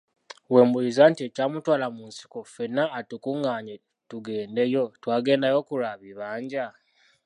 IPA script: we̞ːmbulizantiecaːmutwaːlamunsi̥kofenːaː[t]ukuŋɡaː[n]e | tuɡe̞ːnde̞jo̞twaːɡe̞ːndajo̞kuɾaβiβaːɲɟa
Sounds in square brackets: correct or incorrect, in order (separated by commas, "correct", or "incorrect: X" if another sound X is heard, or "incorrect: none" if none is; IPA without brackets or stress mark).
correct, incorrect: ɲ